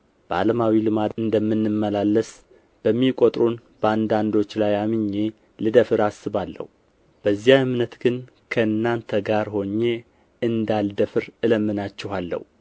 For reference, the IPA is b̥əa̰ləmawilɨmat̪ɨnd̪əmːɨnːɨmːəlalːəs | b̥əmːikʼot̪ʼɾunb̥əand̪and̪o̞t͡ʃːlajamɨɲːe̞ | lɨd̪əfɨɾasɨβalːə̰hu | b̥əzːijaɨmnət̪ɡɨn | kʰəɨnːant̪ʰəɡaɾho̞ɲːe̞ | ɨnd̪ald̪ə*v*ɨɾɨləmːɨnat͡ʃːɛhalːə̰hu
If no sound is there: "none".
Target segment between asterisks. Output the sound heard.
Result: f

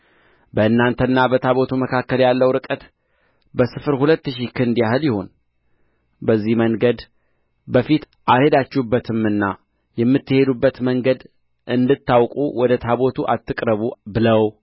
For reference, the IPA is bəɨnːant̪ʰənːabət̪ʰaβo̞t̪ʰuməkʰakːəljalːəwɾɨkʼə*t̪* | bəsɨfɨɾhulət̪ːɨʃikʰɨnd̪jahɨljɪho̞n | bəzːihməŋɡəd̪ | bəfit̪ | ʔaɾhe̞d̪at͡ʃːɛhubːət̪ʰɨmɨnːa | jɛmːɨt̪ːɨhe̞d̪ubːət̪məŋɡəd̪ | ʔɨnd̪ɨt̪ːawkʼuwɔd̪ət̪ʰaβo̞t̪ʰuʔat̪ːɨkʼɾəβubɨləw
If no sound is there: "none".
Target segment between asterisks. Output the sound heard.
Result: t̪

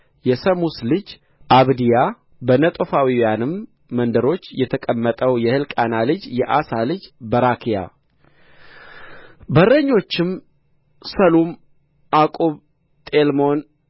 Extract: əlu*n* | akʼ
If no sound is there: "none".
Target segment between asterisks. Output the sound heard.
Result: m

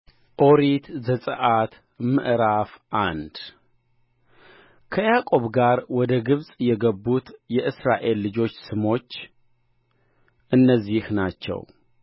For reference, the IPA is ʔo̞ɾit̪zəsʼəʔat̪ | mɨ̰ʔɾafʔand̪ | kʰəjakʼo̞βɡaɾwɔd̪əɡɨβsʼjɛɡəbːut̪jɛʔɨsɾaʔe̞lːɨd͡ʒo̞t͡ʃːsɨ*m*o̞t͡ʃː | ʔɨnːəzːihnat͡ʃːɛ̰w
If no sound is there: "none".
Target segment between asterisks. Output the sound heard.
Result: m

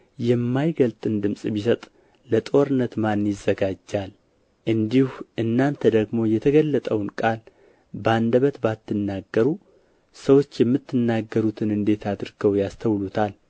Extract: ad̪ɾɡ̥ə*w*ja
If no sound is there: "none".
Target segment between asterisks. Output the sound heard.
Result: w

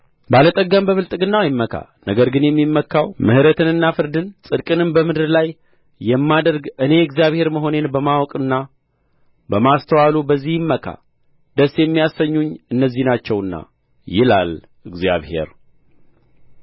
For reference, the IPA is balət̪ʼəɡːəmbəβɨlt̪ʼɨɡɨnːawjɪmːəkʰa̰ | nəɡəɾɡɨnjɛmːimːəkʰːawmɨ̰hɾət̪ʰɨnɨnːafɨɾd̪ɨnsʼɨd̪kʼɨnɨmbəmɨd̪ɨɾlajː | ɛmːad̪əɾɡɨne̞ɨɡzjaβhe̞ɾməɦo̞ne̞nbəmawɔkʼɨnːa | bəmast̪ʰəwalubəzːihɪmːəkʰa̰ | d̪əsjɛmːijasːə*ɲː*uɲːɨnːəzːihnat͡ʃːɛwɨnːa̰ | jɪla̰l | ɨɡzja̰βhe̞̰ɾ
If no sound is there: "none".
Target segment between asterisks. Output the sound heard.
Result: ɲː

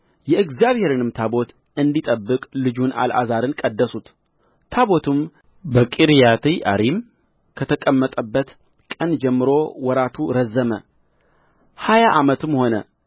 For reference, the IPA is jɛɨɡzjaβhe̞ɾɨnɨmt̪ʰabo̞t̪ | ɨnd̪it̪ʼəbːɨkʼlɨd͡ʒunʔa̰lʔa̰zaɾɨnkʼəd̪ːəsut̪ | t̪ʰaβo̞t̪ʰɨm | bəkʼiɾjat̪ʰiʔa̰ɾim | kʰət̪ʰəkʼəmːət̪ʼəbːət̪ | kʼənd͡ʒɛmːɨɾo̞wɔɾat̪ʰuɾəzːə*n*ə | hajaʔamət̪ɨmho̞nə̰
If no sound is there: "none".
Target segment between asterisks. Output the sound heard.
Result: m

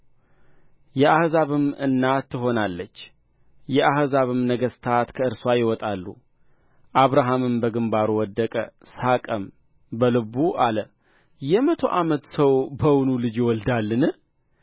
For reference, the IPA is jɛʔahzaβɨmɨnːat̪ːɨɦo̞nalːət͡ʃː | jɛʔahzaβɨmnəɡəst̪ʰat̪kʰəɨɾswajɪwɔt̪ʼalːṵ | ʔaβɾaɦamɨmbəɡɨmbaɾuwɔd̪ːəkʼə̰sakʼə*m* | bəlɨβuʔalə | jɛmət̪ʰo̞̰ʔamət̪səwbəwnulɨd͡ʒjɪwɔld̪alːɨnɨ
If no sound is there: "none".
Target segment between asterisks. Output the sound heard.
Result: m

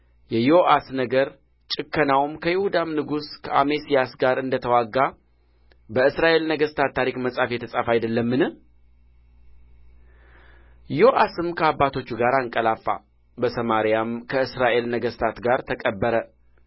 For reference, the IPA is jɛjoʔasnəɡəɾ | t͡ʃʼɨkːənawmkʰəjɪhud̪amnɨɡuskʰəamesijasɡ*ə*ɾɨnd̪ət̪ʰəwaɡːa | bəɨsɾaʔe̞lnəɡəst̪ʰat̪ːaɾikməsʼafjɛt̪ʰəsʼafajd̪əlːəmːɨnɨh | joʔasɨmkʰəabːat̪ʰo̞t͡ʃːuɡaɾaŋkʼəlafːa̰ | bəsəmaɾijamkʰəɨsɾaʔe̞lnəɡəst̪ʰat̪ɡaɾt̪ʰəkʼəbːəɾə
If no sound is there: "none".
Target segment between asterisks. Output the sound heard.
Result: a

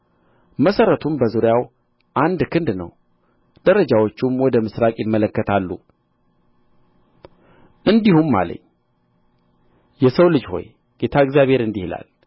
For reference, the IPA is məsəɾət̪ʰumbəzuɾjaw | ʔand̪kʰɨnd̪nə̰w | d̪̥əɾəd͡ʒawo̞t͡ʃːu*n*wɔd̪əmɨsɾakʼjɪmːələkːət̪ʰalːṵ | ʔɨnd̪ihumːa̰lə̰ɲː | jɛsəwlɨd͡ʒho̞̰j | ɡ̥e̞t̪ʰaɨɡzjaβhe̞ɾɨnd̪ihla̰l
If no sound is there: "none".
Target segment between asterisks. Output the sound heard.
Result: m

